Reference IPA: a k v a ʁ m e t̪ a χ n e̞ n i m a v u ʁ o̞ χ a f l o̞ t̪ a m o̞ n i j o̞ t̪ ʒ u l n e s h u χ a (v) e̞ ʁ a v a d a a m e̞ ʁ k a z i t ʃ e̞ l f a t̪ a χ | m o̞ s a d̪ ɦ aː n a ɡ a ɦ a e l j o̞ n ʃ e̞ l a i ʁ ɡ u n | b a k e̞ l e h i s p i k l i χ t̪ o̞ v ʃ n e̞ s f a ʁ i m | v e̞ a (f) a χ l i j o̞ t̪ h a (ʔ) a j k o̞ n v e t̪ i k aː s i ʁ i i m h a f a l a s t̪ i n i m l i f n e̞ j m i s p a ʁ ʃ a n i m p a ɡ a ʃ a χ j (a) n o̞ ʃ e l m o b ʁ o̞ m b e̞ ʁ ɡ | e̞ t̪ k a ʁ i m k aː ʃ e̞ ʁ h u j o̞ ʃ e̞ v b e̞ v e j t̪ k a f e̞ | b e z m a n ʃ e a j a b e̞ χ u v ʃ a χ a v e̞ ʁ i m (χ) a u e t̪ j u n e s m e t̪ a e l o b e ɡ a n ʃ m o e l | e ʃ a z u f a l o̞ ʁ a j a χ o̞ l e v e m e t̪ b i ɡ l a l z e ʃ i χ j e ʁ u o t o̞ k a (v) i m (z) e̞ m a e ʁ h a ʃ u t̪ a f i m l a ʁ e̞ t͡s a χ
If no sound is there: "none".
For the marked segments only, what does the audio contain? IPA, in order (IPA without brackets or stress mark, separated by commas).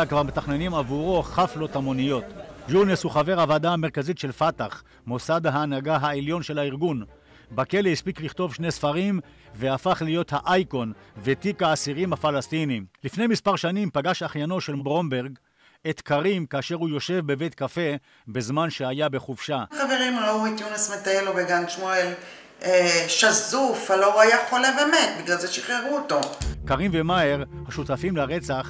v, f, ʔ, a, ʁ, ʁ, v